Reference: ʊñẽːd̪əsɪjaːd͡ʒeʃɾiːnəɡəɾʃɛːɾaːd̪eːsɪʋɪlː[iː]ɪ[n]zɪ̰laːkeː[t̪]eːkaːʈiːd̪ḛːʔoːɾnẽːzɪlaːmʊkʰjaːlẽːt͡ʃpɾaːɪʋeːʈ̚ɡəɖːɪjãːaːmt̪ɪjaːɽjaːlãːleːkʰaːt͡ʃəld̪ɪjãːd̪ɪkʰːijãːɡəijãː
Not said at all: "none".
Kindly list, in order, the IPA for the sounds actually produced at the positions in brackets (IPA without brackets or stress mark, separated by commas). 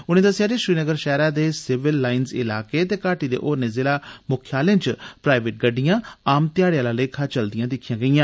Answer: aː, n, t̪